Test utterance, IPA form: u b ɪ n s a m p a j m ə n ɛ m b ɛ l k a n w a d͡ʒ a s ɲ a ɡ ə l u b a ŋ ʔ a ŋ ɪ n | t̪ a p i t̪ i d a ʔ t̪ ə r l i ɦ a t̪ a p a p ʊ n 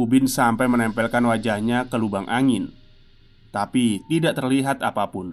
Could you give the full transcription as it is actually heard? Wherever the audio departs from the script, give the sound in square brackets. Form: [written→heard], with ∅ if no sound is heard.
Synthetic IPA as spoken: u b ɪ n s a m p a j m ə n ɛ m [b→p] ɛ l k a n w a d͡ʒ a [s→h] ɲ a [ɡ→k] ə l u b a ŋ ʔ a ŋ ɪ n | t̪ a p i t̪ i d a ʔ t̪ ə r l i ɦ a t̪ a p a p ʊ n